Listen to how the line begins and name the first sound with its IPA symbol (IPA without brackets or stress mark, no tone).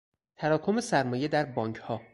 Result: t̪ʰ